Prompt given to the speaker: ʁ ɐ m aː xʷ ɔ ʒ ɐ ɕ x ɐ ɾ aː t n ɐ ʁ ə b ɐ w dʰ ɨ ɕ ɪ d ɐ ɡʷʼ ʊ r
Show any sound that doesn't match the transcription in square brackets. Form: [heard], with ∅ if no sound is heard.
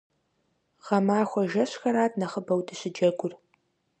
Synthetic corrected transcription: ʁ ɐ m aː xʷ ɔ ʒ ɐ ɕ x ɐ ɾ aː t n ɐ [χ] ə b ɐ w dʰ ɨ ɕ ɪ [d͡ʒ] ɐ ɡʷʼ ʊ r